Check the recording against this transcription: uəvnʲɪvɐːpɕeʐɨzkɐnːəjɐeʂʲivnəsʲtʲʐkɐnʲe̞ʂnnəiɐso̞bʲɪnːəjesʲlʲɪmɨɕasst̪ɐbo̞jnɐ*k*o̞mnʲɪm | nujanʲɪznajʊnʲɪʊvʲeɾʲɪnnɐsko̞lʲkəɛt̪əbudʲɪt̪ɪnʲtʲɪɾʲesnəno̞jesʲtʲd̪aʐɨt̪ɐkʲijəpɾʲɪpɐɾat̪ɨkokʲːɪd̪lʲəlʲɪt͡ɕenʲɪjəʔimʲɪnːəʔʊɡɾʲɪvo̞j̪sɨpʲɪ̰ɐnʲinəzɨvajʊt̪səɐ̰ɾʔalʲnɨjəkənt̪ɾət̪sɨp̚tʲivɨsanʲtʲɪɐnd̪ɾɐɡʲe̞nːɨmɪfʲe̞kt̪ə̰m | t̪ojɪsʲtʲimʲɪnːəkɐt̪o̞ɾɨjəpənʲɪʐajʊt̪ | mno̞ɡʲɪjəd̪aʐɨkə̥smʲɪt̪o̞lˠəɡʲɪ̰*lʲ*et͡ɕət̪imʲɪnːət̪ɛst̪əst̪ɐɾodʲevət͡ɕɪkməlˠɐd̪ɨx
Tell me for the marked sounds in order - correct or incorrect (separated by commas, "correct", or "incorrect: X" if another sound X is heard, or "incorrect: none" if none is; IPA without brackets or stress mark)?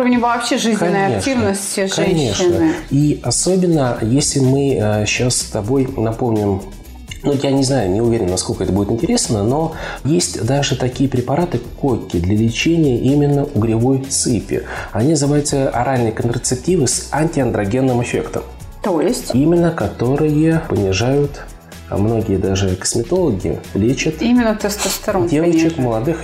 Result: incorrect: p, correct